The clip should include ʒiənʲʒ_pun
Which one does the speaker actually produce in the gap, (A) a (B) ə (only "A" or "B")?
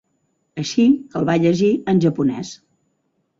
B